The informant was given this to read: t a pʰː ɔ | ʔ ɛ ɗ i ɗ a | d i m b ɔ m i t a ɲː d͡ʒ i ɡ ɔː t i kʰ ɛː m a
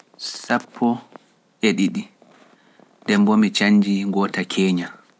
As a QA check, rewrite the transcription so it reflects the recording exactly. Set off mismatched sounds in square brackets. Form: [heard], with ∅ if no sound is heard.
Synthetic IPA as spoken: [s] a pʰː ɔ | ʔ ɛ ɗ i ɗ [i] | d [ɛ] m b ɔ m i [t͡ʃ] a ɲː d͡ʒ i ɡ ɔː t [a] kʰ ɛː [ɲ] a